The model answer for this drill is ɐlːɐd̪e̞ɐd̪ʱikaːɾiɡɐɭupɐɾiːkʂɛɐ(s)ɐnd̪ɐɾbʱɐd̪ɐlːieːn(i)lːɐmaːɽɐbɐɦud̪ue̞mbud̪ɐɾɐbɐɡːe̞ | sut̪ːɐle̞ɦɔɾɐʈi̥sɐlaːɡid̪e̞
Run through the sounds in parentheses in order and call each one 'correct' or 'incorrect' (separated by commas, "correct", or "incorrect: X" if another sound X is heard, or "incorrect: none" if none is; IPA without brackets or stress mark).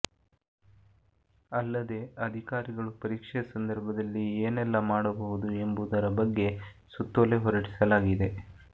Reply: correct, incorrect: ɛ